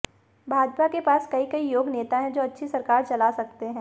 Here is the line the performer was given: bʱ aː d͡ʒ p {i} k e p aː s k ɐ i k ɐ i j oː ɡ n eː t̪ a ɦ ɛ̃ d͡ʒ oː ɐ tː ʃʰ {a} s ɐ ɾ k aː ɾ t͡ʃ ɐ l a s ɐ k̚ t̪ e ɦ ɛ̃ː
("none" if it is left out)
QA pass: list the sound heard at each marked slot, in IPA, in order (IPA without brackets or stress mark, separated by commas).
a, i